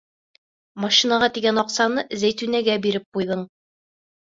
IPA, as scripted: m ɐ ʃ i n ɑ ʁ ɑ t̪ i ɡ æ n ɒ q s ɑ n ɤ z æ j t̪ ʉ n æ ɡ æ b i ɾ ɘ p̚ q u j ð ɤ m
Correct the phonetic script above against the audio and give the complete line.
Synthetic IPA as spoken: m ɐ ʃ i n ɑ ʁ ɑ t̪ i ɡ æ n ɒ q s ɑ n ɤ z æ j t̪ ʉ n æ ɡ æ b i ɾ ɘ p̚ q u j ð ɤ ɴ